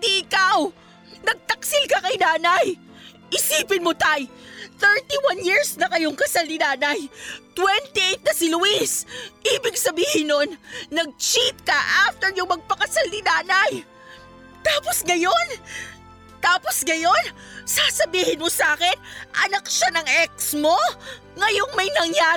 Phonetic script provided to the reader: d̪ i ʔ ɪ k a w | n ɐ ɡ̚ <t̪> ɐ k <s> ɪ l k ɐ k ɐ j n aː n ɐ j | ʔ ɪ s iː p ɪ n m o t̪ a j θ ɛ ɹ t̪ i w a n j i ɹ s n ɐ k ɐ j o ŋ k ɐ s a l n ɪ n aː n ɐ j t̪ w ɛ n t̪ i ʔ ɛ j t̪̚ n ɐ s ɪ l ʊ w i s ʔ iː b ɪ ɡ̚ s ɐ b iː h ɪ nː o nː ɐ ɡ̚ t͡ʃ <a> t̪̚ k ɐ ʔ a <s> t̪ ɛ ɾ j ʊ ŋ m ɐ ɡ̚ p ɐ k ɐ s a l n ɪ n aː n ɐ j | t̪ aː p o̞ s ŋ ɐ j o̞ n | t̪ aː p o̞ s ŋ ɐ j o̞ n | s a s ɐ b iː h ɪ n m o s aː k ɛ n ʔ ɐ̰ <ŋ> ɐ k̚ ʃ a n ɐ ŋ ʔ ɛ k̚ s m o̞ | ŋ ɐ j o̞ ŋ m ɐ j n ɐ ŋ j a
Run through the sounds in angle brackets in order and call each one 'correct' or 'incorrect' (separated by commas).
correct, correct, incorrect, incorrect, incorrect